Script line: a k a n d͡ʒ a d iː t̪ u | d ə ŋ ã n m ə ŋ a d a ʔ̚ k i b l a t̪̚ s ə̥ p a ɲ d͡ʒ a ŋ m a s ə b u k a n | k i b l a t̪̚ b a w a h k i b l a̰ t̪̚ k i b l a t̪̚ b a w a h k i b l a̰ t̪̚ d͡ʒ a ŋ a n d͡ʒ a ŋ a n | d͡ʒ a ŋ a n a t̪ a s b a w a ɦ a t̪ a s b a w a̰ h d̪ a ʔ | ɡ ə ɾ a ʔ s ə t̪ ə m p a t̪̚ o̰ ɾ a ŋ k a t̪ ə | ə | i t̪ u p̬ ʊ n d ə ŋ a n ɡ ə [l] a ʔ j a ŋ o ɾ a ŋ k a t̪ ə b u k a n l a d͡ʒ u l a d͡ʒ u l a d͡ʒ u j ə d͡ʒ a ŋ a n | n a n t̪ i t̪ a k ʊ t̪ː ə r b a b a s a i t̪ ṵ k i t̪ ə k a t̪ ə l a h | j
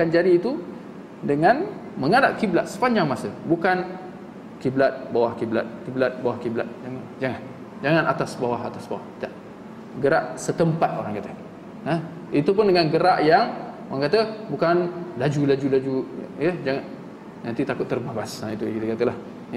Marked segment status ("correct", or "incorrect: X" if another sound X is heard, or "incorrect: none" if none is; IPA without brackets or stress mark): incorrect: ɾ